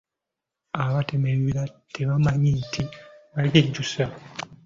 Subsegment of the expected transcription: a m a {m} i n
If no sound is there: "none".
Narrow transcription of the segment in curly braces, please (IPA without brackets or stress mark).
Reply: ɲ